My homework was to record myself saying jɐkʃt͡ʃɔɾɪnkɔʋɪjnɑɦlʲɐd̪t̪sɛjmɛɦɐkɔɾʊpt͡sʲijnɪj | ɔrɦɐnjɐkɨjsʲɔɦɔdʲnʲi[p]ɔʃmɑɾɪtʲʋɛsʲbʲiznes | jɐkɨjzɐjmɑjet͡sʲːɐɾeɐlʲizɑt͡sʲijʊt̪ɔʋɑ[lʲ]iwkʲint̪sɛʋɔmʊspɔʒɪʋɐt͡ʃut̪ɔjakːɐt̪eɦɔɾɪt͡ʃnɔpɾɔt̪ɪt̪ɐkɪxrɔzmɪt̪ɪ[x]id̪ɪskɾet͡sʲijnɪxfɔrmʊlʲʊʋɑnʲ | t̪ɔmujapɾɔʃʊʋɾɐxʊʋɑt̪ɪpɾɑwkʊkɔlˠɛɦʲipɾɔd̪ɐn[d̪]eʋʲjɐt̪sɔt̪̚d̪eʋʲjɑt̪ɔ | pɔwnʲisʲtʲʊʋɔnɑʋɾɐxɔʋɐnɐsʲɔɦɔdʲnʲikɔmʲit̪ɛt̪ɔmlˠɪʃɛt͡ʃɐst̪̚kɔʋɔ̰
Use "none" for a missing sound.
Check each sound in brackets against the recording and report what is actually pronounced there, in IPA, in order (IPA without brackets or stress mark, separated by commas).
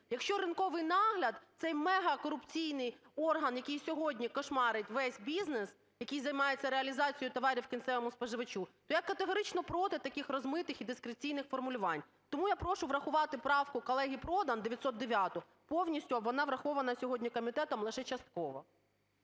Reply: k, ɾʲ, x, d̪